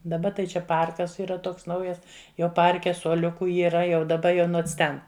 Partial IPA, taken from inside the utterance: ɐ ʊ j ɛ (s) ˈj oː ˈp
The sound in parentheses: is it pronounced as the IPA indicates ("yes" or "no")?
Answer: yes